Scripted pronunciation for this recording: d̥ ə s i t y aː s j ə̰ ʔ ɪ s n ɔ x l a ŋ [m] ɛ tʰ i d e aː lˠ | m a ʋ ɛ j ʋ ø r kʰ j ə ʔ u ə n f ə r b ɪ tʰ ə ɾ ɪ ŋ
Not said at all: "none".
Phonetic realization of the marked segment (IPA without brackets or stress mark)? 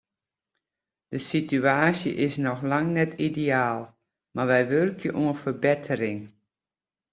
n